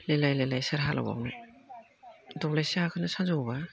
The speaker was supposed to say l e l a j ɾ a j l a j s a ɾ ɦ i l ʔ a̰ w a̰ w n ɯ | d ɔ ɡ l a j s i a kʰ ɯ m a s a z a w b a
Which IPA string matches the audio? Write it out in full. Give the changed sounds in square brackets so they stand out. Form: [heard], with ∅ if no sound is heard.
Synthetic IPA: l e l a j [l] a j l a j s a ɾ ɦ [a] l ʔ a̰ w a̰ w n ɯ | d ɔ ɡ l a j s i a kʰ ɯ [n] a s a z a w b a